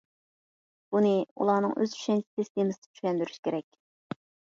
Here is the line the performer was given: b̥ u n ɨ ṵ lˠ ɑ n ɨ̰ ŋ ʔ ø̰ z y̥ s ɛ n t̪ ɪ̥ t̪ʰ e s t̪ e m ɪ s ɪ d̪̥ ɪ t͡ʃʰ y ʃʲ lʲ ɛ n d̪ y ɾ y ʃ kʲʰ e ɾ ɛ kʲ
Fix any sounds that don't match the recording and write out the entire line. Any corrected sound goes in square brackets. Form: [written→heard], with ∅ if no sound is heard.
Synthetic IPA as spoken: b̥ u n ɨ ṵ lˠ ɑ n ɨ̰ ŋ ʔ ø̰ z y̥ [s→ʃ] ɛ n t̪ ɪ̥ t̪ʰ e s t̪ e m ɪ s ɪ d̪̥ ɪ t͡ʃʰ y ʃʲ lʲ ɛ n d̪ y ɾ y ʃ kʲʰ e ɾ ɛ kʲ

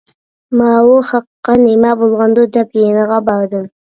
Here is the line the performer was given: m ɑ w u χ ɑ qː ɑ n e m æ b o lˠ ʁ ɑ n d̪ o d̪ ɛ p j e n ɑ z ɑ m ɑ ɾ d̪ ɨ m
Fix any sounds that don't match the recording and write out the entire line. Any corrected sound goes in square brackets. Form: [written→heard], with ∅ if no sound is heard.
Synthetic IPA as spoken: m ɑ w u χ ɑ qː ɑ n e m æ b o lˠ ʁ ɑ n d̪ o d̪ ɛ p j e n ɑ [z→ʁ] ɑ [m→b] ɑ ɾ d̪ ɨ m

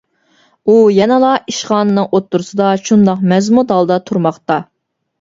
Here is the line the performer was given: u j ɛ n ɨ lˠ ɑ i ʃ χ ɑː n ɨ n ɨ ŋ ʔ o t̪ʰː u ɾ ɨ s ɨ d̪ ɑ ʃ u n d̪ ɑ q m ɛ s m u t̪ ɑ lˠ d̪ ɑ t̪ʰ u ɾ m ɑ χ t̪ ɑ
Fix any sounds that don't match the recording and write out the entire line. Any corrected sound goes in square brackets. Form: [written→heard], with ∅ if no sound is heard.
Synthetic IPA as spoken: u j ɛ n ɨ lˠ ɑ i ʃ χ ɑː n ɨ n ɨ ŋ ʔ o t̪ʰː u ɾ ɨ s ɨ d̪ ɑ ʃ u n d̪ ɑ q m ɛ [s→z] m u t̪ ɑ lˠ d̪ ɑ t̪ʰ u ɾ m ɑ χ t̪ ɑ

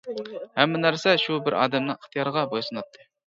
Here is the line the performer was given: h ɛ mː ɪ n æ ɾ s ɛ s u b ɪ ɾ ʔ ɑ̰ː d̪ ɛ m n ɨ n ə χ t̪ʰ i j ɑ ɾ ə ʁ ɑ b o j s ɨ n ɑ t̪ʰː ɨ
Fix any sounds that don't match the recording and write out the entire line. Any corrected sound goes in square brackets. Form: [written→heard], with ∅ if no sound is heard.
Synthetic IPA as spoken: h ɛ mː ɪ n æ ɾ s ɛ [s→ʃ] u b ɪ ɾ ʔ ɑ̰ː d̪ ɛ m n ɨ [n→ŋ] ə χ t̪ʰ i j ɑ ɾ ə ʁ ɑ b o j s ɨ n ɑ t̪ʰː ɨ

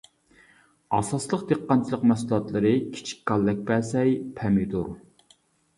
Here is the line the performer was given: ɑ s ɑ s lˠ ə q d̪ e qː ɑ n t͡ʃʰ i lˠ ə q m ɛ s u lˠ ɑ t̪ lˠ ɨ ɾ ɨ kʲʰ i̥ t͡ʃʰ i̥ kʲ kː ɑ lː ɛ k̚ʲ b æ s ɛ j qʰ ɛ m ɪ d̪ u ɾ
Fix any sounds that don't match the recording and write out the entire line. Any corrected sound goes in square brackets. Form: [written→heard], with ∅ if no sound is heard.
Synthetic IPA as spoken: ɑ s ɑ s lˠ ə q d̪ e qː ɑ n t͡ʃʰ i lˠ ə q m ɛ s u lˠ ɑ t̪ lˠ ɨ ɾ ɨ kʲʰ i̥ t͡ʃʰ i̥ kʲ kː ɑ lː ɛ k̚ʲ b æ s ɛ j [qʰ→pʰ] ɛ m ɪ d̪ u ɾ

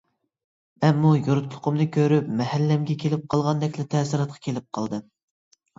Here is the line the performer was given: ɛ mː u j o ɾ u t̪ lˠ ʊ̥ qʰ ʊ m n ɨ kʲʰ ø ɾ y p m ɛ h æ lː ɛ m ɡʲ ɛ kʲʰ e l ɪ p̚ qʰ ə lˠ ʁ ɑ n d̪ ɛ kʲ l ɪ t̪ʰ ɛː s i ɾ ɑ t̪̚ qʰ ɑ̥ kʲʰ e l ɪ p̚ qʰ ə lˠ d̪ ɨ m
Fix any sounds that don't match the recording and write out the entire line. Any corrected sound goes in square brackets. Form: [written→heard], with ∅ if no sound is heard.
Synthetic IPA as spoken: ɛ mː u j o ɾ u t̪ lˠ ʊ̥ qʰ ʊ m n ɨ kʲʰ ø ɾ y p m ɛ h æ lː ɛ m ɡʲ ɛ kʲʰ e l ɪ p̚ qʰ [ə→ɑ] lˠ ʁ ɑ n d̪ ɛ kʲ l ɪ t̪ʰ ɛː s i ɾ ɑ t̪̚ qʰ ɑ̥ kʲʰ e l ɪ p̚ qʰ [ə→ɑ] lˠ d̪ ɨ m

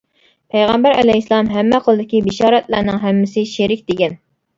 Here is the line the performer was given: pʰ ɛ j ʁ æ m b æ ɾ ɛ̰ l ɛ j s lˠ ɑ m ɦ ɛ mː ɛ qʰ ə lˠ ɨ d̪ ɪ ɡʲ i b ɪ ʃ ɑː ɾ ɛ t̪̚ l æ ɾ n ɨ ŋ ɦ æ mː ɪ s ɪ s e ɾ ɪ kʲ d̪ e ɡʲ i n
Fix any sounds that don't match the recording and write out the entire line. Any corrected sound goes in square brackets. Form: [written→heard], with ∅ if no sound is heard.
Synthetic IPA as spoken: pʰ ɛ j ʁ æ m b æ ɾ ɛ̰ l ɛ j s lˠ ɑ m ɦ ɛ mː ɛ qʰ ə lˠ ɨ d̪ ɪ [ɡʲ→kʲ] i b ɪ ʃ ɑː ɾ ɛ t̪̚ l æ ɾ n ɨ ŋ ɦ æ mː ɪ s ɪ [s→ʃ] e ɾ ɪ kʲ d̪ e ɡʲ [i→ɛ] n

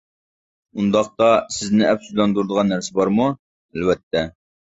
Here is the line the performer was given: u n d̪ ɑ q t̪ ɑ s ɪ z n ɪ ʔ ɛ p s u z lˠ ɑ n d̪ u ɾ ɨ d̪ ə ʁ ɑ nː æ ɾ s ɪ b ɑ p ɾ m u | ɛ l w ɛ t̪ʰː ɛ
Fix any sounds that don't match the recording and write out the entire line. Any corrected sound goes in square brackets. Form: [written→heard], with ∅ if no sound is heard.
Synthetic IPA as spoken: u n d̪ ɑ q t̪ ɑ s ɪ z n ɪ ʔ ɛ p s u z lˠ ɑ n d̪ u ɾ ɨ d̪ ə ʁ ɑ nː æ ɾ s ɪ b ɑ [p→∅] ɾ m u | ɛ l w ɛ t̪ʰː ɛ

